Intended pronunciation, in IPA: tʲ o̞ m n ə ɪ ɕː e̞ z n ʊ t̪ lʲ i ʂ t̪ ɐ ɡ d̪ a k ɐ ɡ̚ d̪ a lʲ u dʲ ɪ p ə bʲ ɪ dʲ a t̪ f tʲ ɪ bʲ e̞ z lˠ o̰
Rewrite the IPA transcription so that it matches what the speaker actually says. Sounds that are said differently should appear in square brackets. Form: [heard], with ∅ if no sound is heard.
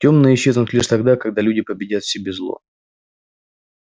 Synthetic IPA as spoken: tʲ o̞ m n ə ɪ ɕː e̞ z n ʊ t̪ lʲ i ʂ t̪ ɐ ɡ d̪ a k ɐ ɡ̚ d̪ a lʲ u dʲ ɪ p ə bʲ ɪ dʲ a t̪ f [sʲ] ɪ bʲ e̞ z lˠ o̰